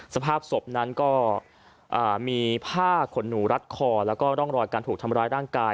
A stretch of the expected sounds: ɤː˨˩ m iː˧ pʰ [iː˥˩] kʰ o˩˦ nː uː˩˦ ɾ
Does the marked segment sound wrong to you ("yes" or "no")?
yes